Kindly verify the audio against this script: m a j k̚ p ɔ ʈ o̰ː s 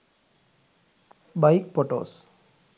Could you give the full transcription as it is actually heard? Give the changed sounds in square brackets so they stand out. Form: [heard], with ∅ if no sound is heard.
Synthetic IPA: [b] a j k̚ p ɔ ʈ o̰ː s